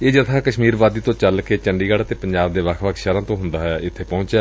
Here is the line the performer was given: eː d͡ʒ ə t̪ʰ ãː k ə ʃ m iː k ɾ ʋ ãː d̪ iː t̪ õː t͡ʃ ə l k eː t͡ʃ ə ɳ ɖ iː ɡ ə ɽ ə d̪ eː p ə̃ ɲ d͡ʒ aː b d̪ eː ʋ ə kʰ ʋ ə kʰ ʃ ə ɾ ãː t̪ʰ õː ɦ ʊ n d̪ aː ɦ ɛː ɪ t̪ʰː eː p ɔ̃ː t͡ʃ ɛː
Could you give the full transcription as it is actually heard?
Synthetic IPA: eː d͡ʒ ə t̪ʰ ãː k ə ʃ m iː ɾ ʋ aː d̪ iː t̪ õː t͡ʃ ə l k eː t͡ʃ ə ɳ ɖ iː ɡ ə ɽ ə t̪ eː p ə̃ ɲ d͡ʒ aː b d̪ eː ʋ ə kʰ ʋ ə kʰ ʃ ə ɾ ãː t̪ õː ɦ ʊ n d̪ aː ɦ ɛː ɪ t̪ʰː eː p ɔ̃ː t͡ʃ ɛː

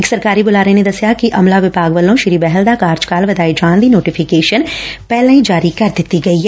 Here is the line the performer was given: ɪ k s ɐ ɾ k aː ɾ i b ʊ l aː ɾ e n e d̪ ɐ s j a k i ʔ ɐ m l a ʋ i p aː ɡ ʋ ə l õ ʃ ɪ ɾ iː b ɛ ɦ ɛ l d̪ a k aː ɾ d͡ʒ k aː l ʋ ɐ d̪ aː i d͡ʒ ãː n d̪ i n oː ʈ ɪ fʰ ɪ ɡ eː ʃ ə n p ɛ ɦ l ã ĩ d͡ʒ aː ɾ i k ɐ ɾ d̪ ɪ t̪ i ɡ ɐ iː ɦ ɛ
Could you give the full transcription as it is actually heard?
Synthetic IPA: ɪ k s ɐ ɾ k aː ɾ i b ʊ l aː ɾ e n e d̪ ɐ s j a k i ʔ ɐ m l a ʋ ɪ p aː ɡ ʋ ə l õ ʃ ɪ ɾ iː b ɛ ɦ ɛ l d̪ a k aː ɾ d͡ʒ k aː l ʋ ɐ d̪ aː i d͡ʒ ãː n d̪ i n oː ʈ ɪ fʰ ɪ k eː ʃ ə n p ɛ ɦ l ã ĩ d͡ʒ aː ɾ i k ɐ ɾ d̪ ɪ t̪ i ɡ ɐ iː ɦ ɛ

